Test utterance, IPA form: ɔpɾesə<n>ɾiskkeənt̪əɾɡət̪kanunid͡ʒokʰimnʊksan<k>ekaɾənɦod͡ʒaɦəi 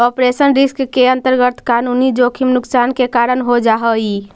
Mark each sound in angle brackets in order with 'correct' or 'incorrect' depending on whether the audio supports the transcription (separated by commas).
correct, correct